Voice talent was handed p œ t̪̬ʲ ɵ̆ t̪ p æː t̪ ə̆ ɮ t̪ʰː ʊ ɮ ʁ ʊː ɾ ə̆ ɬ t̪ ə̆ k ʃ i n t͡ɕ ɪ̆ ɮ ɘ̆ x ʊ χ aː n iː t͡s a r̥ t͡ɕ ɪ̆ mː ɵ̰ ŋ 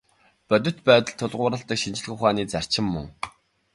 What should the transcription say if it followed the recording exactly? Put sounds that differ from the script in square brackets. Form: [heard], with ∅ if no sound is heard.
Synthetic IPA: p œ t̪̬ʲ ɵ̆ t̪ p æː t̪ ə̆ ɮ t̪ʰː ʊ ɮ ʁ ʊː ɾ ə̆ ɬ t̪ ə̆ k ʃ i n t͡ɕ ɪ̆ ɮ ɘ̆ x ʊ χ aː n iː t͡s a r̥ t͡ɕ ɪ̆ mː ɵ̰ ŋ